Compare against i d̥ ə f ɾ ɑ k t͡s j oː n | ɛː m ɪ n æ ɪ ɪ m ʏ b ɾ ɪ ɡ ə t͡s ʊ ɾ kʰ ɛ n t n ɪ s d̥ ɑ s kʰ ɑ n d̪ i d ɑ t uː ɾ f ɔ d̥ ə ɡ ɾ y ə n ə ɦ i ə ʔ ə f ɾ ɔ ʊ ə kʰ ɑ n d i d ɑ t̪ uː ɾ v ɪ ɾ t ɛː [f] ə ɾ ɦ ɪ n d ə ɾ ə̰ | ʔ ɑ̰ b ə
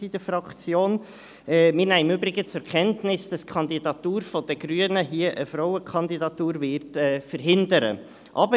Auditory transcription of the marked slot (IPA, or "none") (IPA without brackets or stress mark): f